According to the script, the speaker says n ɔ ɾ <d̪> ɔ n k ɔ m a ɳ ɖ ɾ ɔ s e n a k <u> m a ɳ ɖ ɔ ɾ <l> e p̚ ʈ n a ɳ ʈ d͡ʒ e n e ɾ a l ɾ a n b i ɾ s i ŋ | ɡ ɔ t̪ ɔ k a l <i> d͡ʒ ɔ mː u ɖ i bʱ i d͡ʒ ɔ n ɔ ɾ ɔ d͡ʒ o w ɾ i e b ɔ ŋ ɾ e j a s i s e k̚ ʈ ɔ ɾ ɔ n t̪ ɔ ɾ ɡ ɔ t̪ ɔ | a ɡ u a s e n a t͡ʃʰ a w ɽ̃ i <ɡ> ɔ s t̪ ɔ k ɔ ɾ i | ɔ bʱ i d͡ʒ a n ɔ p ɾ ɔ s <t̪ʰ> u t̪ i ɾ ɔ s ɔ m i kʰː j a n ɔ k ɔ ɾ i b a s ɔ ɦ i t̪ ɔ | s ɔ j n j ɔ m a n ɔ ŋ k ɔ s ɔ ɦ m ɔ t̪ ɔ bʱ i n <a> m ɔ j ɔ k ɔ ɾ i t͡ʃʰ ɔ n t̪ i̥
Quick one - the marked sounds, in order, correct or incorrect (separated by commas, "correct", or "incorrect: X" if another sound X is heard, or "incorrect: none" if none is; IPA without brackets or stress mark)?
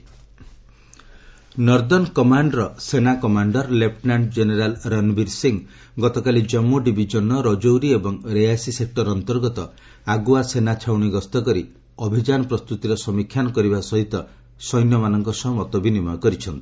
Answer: correct, incorrect: ɔ, correct, correct, correct, incorrect: t̪, incorrect: i